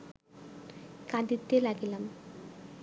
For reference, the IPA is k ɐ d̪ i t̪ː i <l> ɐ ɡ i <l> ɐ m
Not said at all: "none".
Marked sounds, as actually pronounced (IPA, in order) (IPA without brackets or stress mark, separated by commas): l, l